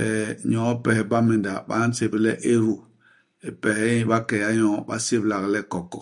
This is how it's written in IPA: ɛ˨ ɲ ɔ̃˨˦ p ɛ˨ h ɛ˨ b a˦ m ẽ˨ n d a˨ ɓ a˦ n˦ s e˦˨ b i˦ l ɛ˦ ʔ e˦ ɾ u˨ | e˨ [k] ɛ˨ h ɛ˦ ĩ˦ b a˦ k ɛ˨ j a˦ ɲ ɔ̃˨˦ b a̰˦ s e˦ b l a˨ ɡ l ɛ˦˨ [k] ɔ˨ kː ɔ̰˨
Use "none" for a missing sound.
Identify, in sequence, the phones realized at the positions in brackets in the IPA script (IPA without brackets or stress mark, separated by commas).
p, k